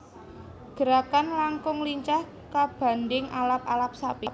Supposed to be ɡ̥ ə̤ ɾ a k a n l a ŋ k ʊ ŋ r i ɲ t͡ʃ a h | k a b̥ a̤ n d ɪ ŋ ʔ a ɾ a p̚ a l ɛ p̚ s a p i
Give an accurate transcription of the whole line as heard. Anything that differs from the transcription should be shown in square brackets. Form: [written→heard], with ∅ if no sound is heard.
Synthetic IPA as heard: ɡ̥ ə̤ ɾ a k a n l a ŋ k ʊ ŋ [r→l] i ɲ t͡ʃ a h | k a b̥ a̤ n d ɪ ŋ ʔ a [ɾ→l] a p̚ a l [ɛ→a] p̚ s a p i